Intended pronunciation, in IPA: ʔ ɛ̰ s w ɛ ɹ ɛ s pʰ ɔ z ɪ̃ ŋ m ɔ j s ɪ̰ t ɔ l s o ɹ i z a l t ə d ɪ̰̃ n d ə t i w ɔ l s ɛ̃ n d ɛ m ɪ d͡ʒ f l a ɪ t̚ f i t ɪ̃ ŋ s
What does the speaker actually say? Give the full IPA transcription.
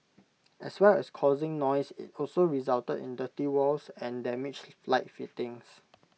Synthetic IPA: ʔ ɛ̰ s w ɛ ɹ ɛ s kʰ ɔ z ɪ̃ ŋ n ɔ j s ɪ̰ t ɔ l s o ɹ i z a l t ə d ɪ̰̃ n d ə t i w ɔ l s ɛ̃ n d ɛ m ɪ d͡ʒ f l a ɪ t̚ f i t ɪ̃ ŋ s

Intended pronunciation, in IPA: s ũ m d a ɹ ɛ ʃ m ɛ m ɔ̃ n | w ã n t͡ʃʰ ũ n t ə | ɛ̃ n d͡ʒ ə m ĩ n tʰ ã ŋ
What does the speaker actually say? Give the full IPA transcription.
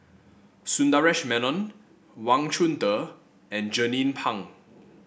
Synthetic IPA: s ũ n d a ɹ ɛ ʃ m ɛ n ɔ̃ n | w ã ŋ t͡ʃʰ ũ n t ə | ɛ̃ n d͡ʒ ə n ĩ n pʰ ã ŋ

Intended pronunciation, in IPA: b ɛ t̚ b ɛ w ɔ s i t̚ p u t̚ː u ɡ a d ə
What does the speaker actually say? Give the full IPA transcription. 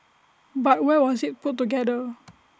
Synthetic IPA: b a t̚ w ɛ w ɔ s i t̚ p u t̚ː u ɡ ɛ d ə

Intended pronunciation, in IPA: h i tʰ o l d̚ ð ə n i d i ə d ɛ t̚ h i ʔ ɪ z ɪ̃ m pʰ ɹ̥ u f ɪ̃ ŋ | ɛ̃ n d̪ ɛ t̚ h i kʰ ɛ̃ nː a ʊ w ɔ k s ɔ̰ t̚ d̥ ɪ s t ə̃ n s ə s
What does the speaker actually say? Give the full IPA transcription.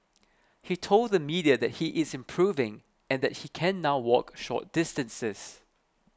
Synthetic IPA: h i tʰ o l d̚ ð ə m i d i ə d ɛ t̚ h i ʔ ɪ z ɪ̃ m pʰ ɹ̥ u v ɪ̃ ŋ | ɛ̃ n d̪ ɛ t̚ h i kʰ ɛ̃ nː a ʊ w ɔ k ʃ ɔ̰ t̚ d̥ ɪ s t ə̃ n s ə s

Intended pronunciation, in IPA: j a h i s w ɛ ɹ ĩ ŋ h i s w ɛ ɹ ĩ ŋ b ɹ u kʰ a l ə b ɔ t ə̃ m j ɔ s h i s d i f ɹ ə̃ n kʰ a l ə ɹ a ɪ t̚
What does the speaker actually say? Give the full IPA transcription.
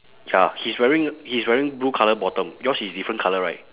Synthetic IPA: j a h i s w ɛ ɹ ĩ ŋ h i s w ɛ ɹ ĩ ŋ b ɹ u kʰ a l ə b ɔ t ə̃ m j ɔ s h i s d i f ɹ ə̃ n kʰ a l ə ɹ a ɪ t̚

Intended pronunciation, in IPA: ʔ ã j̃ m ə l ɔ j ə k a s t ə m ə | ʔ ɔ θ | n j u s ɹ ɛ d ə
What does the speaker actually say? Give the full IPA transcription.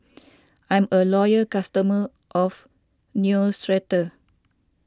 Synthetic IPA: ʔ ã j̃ m ə l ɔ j ə k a s t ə m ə | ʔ ɔ f | n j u s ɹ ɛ t ə

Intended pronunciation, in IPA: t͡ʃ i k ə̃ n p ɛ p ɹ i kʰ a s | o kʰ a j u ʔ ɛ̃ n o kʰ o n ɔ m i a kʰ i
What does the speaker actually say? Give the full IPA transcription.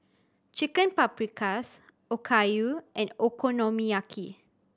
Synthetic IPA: t͡ʃ i k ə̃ n p a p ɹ i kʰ a s | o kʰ a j u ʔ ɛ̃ n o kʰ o n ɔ m i a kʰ i

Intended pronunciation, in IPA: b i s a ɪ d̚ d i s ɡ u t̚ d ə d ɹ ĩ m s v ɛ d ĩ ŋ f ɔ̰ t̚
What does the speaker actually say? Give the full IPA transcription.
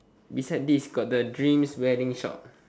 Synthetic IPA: b i s a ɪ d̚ d i s ɡ ɔ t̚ d ə d ɹ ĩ m s w ɛ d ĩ ŋ ʃ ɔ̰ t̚

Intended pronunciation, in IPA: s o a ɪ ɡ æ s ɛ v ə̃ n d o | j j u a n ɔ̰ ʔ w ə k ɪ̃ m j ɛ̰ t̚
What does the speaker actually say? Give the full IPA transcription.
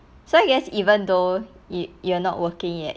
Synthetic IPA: s o a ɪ ɡ ɛ s i v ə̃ n d o | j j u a n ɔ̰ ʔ w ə k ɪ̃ ŋ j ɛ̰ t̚

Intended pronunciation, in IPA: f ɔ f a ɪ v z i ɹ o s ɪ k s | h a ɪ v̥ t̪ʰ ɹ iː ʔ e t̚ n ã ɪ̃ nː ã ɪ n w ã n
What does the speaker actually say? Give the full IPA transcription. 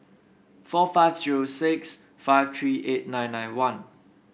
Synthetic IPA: f ɔ f a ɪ v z i ɹ o s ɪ k s | f a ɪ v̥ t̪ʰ ɹ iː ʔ e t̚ n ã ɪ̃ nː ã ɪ n w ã n

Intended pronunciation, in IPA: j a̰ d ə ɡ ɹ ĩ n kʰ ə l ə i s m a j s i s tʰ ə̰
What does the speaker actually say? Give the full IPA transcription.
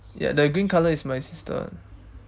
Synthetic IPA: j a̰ d ə ɡ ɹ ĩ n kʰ a l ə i s m a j s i s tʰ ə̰

